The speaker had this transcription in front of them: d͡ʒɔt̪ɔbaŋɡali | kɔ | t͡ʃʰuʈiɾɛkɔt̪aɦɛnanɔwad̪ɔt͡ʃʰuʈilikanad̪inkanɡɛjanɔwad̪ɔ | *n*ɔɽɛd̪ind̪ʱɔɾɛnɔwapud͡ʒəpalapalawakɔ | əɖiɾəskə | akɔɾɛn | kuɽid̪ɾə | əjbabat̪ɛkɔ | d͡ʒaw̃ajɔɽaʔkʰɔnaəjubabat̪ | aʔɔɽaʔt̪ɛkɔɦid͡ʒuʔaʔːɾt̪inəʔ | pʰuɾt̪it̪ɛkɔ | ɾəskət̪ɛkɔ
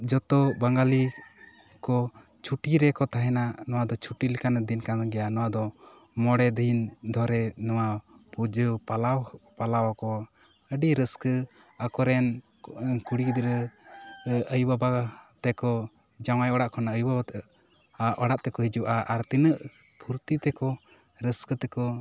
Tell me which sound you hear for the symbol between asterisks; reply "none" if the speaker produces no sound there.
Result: m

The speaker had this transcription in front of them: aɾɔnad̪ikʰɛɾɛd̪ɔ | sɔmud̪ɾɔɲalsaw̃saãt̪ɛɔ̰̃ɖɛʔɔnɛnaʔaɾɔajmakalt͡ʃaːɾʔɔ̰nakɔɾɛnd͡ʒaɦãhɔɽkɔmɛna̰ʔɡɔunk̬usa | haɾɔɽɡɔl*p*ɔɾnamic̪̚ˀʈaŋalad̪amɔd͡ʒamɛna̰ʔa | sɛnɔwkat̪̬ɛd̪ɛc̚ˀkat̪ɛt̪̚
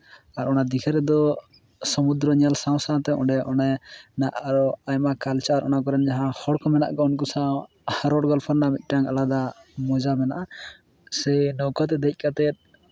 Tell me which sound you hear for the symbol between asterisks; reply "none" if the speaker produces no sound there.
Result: pʰ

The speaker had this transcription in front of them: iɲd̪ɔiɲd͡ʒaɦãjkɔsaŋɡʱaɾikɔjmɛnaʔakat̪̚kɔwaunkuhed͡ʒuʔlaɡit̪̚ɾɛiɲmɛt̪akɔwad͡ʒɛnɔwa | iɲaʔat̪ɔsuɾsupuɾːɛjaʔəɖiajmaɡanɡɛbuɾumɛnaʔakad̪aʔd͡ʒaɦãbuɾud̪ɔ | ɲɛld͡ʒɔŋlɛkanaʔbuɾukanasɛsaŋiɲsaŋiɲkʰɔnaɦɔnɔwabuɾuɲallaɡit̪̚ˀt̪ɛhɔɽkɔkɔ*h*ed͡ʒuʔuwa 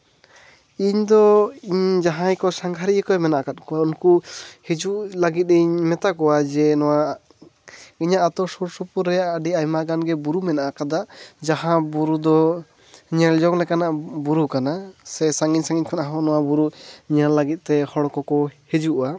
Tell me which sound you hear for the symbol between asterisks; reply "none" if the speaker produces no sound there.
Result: h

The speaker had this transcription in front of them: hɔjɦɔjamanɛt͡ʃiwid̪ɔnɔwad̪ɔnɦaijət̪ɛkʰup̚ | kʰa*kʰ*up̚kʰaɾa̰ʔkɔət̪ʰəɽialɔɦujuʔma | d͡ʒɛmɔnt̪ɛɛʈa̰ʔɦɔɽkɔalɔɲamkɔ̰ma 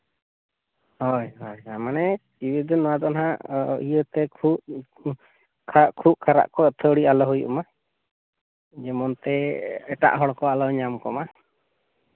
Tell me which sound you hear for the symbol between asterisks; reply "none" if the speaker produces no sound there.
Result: kʰ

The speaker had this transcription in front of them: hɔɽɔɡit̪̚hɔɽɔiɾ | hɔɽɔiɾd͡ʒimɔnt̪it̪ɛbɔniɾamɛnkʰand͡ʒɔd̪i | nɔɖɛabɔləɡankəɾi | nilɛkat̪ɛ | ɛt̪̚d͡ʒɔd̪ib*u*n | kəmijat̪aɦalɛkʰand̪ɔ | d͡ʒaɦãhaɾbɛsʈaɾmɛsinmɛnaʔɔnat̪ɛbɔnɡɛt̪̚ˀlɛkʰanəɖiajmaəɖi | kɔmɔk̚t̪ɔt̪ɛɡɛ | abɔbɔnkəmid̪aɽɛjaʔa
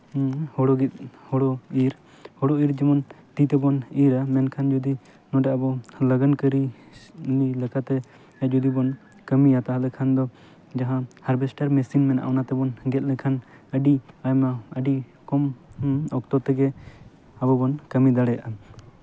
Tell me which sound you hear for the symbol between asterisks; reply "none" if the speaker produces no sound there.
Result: ɔ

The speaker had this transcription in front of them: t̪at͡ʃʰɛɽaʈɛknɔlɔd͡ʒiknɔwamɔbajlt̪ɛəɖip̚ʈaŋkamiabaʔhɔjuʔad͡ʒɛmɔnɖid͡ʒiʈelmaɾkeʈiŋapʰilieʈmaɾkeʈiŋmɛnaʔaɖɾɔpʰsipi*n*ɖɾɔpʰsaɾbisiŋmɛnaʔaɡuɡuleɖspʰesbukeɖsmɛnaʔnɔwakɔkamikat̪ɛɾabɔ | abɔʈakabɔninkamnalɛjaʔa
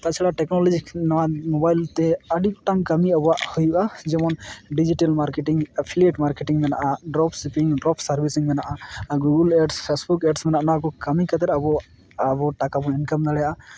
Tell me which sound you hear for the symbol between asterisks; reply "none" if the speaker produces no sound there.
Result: ŋ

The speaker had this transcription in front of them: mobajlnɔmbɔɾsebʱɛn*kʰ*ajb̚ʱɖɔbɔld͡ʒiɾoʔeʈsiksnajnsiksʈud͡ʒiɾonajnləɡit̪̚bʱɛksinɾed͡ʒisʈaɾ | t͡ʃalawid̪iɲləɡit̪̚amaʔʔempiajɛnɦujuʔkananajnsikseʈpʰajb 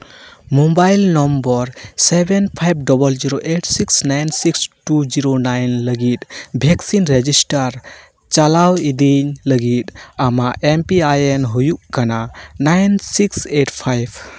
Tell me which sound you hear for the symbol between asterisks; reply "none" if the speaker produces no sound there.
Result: pʰ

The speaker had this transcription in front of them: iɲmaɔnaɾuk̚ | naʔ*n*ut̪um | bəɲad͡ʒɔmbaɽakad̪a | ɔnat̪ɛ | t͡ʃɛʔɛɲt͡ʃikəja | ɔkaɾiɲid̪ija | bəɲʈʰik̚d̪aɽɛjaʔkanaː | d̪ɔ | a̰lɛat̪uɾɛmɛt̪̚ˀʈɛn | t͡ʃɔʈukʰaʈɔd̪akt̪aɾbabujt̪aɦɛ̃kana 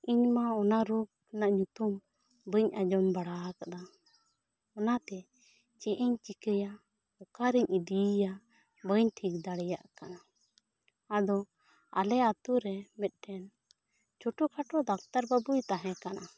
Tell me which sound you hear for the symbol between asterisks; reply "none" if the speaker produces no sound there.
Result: ɲ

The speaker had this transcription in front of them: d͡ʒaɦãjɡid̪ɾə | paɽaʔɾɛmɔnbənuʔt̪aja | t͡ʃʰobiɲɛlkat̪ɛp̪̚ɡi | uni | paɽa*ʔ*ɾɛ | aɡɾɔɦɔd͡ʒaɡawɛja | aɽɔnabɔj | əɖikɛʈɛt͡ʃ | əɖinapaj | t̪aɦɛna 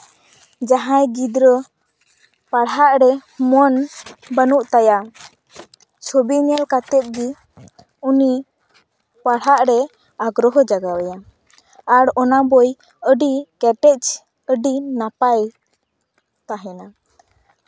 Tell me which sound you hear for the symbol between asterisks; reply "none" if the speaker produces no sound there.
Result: ʔ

